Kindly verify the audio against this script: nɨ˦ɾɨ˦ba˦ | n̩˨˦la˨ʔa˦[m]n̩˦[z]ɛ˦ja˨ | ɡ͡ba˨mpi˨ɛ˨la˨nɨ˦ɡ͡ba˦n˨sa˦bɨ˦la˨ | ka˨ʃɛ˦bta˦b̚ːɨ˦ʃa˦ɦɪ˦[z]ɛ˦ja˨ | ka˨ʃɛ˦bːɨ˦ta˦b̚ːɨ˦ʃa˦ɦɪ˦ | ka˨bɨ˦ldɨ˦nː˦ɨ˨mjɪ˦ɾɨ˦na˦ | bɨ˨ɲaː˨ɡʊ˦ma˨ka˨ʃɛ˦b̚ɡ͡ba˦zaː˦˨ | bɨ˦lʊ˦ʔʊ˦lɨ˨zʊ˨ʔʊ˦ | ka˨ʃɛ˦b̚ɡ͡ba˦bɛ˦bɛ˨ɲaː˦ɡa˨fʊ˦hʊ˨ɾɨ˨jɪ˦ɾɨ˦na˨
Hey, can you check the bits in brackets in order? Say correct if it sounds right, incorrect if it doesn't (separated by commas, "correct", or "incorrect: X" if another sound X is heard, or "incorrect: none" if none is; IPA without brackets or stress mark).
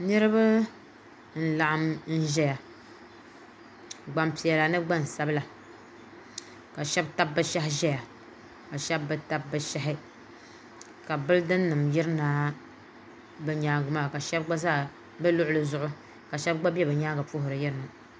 correct, incorrect: ʒ, incorrect: ʒ